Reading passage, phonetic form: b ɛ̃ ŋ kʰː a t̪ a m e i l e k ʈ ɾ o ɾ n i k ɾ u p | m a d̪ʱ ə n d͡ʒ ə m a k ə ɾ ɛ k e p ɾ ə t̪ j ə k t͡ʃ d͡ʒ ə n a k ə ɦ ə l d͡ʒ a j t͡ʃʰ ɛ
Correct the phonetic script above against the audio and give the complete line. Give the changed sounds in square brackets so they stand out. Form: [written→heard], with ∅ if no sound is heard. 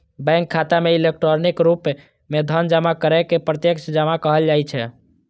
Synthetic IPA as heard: b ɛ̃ ŋ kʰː a t̪ a m e i l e k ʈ ɾ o ɾ n i k ɾ u p | m [a→e] d̪ʱ ə n d͡ʒ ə m a k ə ɾ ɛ k e p ɾ ə t̪ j ə k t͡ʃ d͡ʒ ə [n→m] a k ə ɦ ə l d͡ʒ a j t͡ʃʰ ɛ